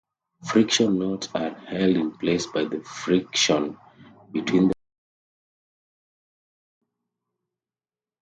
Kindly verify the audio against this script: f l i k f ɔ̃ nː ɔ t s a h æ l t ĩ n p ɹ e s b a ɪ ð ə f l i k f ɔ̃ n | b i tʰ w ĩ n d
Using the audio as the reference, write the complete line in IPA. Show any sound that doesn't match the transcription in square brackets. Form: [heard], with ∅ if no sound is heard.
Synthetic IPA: f [ɹ] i k [ʃ] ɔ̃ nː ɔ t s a h [ɛ] l [d] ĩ n p [l] e s b a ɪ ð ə f [ɹ] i k [ʃ] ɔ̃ n | b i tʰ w ĩ n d